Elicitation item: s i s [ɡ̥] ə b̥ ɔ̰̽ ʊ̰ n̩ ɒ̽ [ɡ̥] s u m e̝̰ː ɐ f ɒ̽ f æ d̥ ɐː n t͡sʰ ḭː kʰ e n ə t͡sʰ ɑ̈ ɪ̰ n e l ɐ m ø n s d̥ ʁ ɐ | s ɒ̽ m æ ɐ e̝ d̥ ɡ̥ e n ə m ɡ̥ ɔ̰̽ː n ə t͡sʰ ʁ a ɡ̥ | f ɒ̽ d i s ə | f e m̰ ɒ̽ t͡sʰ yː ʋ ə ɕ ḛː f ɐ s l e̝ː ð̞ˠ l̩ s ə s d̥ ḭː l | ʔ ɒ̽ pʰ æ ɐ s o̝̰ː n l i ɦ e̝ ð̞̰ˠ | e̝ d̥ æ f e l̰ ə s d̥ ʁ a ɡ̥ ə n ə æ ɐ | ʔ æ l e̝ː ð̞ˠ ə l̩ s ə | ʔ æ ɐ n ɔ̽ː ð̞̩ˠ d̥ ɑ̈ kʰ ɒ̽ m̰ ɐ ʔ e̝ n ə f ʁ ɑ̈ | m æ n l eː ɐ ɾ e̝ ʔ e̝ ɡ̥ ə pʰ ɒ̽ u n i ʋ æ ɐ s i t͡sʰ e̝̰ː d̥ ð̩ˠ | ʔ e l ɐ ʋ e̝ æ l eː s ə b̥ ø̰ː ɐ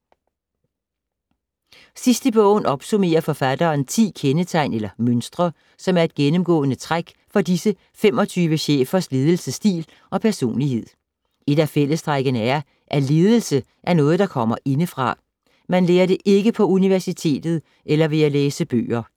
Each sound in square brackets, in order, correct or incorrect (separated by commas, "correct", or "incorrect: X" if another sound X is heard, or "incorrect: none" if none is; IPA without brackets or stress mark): incorrect: d̥, incorrect: b̥